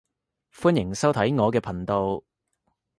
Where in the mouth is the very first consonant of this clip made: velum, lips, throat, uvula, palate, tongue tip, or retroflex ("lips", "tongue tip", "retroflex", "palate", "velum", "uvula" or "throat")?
lips